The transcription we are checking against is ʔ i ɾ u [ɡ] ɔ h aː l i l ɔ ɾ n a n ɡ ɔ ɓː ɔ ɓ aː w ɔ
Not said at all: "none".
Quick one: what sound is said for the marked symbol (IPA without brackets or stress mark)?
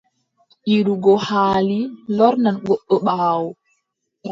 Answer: ɡ